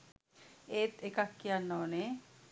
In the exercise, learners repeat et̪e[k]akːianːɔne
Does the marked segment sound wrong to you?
no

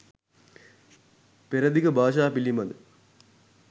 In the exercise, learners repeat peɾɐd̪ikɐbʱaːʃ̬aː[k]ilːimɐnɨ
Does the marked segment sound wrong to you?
yes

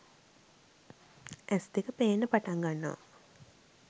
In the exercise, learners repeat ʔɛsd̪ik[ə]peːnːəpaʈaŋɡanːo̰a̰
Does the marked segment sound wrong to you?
no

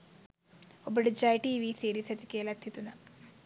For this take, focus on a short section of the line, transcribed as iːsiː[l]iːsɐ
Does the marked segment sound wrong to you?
yes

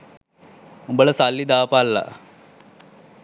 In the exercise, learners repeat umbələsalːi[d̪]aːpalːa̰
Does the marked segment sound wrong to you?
no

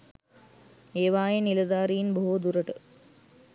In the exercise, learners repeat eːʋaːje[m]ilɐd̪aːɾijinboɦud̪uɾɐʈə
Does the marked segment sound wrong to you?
yes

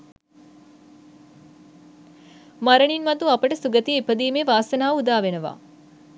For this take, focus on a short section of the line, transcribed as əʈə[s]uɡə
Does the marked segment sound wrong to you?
no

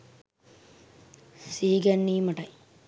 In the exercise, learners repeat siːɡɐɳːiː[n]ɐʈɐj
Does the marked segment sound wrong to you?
yes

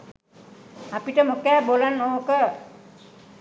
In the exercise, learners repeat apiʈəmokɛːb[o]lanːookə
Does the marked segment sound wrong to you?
no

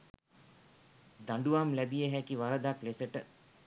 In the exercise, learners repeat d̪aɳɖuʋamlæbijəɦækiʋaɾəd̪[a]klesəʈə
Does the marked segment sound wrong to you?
no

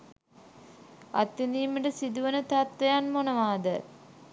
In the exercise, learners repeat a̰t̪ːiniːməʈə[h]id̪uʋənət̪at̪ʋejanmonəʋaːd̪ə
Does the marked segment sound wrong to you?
yes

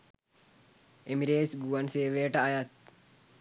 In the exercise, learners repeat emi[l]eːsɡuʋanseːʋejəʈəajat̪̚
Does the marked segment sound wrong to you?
yes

